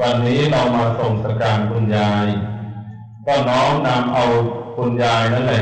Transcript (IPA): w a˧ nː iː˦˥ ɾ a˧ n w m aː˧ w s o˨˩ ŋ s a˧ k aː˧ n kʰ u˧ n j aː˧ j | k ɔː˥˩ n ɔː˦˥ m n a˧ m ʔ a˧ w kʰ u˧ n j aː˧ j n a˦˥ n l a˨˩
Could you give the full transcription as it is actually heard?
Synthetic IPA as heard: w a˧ nː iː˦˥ ɾ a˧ w m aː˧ s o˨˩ ŋ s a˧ k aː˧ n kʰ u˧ n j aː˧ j | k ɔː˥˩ n ɔː˦˥ ŋ n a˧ m ʔ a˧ w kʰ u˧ n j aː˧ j n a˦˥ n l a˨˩